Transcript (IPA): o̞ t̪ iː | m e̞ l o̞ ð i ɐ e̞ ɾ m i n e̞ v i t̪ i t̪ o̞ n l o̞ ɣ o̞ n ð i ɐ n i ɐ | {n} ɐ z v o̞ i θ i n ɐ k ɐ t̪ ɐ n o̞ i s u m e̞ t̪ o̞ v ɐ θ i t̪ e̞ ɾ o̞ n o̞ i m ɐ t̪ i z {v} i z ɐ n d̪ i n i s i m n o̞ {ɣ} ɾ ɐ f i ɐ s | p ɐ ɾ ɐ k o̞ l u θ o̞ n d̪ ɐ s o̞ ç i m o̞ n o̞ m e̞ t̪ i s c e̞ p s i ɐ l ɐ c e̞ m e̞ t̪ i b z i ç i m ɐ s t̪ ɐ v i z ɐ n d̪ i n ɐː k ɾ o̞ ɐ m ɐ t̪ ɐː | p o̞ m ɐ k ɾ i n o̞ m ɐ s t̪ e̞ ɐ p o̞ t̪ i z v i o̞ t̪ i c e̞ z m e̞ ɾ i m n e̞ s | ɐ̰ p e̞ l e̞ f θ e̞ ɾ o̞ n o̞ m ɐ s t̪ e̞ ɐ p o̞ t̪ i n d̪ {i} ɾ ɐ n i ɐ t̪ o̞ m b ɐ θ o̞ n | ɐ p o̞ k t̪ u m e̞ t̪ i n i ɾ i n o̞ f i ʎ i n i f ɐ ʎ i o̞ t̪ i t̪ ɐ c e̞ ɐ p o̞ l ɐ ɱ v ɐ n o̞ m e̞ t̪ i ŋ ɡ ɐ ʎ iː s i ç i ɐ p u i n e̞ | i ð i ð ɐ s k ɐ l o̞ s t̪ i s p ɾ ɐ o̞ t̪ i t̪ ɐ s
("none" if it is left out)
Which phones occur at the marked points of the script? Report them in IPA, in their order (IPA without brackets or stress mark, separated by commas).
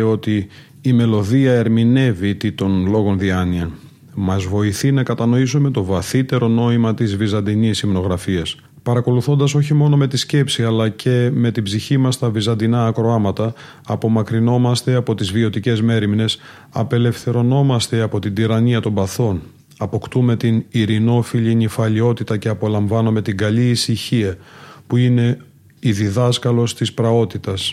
m, v, ɣ, i